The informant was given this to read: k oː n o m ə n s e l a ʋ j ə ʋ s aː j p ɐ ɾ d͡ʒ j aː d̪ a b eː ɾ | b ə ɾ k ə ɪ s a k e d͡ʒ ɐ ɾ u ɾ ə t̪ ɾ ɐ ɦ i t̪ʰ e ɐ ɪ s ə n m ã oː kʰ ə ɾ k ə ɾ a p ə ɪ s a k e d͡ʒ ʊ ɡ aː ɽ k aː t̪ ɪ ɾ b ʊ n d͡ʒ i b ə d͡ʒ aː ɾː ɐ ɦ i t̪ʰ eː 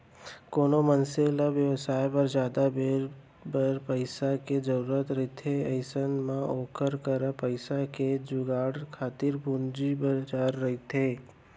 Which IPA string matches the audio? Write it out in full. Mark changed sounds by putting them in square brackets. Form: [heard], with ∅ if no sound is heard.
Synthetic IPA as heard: k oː n o m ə n s e l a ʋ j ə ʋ s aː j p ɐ ɾ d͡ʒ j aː d̪ a b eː ɾ | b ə ɾ [p] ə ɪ s a k e d͡ʒ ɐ ɾ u ɾ ə t̪ ɾ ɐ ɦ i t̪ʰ e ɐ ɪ s ə n m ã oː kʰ ə ɾ k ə ɾ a p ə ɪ s a k e d͡ʒ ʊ ɡ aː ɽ [kʰ] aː t̪ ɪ ɾ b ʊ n d͡ʒ i b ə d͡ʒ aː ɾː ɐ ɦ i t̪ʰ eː